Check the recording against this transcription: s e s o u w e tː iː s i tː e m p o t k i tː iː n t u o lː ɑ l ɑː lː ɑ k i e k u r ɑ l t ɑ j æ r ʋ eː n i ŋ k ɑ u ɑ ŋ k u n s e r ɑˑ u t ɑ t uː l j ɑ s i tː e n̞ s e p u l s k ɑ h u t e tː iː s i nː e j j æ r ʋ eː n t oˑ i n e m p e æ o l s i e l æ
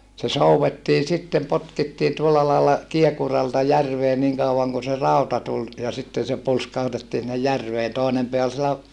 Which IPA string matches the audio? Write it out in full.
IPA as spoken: s e s o u w e tː iː s i tː e m p o t k i tː iː n t u o lː ɑ l ɑː lː ɑ k i e k u r ɑ l t ɑ j æ r ʋ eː n i ŋ k ɑ u ɑ ŋ k u n s e r ɑˑ u t ɑ t u l j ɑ s i tː e n̞ s e p u l s k ɑ h u t e tː iː s i nː e j j æ r ʋ eː n t oˑ i n e m p e æ o l s i e l æ